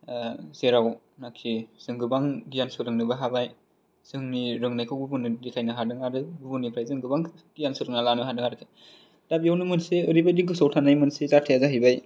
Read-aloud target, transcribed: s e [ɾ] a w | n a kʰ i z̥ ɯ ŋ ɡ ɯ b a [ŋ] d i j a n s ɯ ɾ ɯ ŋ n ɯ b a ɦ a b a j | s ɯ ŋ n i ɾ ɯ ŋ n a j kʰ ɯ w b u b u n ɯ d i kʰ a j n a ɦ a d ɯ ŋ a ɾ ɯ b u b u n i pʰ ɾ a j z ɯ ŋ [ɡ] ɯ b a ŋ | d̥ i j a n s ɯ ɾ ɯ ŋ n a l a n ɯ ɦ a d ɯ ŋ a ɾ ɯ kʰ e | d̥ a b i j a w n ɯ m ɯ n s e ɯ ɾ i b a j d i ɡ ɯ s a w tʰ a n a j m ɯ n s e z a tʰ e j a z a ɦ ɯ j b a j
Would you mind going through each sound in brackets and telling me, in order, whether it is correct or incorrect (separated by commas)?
correct, correct, correct